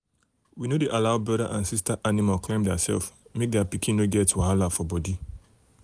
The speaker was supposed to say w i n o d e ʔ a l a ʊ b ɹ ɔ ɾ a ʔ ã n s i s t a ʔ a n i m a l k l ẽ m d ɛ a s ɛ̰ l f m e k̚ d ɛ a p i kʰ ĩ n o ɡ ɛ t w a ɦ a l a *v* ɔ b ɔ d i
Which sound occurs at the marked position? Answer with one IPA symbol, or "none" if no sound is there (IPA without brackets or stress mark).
f